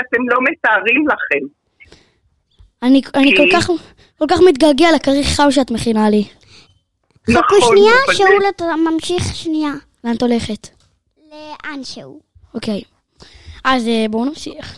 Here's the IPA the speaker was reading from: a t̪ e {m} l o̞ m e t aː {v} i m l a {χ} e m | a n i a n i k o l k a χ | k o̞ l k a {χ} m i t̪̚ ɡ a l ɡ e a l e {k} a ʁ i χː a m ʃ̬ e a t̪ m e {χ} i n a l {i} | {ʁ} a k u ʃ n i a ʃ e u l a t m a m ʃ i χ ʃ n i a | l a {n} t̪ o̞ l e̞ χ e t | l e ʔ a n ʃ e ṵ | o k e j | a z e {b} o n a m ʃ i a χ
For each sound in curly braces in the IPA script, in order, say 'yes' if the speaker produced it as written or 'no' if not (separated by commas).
yes, no, yes, yes, yes, yes, yes, no, yes, yes